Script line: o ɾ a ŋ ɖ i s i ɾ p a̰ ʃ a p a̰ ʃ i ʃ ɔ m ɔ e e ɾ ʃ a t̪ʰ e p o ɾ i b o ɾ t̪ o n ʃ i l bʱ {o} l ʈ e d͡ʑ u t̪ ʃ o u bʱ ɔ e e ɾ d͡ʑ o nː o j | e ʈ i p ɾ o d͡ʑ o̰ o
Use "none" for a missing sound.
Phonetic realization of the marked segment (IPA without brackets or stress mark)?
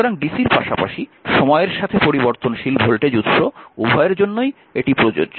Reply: o